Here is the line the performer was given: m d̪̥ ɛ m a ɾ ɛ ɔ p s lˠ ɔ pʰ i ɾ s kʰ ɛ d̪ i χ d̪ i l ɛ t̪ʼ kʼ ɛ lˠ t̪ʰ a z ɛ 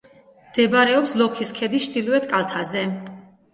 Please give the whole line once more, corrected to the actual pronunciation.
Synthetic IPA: m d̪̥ ɛ b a ɾ ɛ ɔ p s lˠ ɔ kʰ i s kʰ ɛ d̪ i ʃ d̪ i l ɛ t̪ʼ kʼ a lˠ t̪ʰ a z ɛ